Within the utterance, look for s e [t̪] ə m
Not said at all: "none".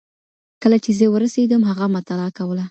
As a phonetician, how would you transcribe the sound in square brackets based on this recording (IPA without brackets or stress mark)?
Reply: d̪